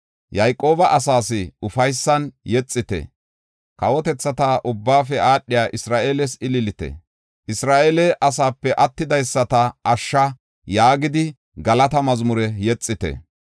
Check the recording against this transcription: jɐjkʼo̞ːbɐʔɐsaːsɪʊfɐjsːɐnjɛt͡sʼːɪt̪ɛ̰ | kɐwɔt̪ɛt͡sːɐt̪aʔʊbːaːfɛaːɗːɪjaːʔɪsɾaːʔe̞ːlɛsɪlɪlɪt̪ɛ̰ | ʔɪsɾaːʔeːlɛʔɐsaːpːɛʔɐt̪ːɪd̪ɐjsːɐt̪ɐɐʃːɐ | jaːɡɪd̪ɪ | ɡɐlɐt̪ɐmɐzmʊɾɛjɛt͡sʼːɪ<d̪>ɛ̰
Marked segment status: incorrect: t̪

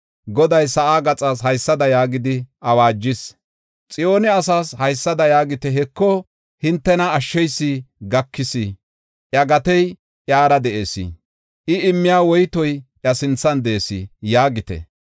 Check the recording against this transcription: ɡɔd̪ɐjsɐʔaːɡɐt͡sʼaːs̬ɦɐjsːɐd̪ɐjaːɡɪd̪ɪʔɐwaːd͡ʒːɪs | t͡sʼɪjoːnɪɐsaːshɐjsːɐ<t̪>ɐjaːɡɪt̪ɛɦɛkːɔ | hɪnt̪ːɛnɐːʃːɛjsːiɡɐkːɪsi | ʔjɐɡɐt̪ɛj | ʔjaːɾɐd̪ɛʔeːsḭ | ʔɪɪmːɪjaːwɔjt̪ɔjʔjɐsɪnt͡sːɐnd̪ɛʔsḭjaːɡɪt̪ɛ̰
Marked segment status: incorrect: d̪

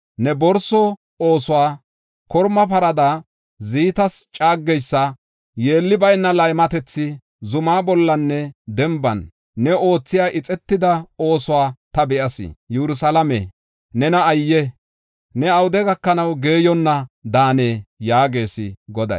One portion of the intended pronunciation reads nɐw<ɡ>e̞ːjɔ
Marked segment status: correct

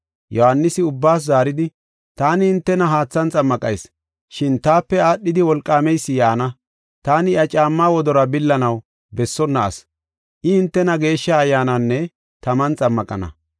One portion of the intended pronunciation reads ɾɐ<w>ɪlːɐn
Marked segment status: incorrect: b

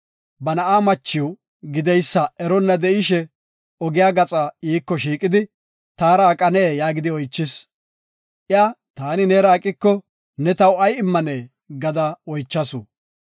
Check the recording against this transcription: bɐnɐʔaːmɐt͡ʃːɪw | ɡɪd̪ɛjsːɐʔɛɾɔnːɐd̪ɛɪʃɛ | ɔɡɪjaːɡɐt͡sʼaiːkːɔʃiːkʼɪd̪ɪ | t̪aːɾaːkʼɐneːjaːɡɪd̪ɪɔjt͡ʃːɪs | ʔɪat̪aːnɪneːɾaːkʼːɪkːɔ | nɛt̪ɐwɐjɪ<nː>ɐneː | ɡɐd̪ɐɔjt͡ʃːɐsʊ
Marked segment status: incorrect: mː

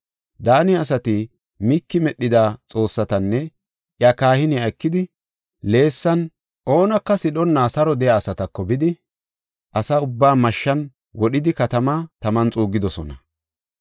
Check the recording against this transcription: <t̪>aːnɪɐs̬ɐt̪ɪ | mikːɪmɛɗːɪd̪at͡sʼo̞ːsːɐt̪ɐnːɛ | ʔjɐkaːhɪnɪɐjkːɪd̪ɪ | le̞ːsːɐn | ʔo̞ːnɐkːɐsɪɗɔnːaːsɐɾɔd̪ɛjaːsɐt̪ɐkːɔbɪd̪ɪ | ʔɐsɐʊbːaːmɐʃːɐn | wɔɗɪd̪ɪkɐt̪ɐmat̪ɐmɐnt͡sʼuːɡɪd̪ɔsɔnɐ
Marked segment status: incorrect: d̪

